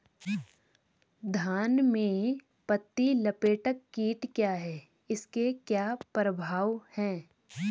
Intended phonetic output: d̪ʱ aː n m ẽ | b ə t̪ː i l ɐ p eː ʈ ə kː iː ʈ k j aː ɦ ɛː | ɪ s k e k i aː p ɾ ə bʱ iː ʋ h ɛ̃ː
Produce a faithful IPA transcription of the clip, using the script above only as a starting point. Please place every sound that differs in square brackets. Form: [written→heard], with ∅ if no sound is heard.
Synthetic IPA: d̪ʱ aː n m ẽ | [b→p] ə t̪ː i l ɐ p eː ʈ ə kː iː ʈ k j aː ɦ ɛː | ɪ s k e k [i→j] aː p ɾ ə bʱ [iː→aː] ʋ h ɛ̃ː